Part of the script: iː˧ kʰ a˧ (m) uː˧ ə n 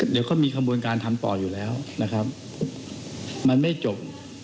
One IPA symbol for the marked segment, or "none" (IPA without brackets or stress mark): b